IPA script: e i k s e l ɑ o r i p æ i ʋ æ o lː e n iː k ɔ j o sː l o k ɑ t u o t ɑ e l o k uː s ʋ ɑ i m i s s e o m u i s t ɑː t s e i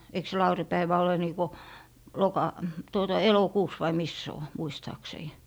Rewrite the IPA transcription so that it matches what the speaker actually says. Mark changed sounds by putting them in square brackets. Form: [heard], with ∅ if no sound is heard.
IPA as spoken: e i k s e l ɑ [u] r i p æ i ʋ æ o [l] e n iː k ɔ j o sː l o k ɑ t u o t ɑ e l o k uː s ʋ ɑ i m i s s e o m u i s t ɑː [k] s e i